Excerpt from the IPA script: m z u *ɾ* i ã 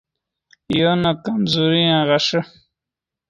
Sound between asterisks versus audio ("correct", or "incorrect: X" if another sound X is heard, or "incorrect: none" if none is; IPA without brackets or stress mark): correct